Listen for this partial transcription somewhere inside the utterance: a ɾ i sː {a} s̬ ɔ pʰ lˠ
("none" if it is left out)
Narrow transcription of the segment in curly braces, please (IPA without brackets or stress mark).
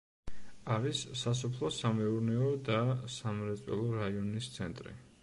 a